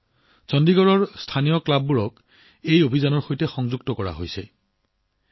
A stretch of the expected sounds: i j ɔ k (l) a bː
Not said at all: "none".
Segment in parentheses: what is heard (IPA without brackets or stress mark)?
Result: l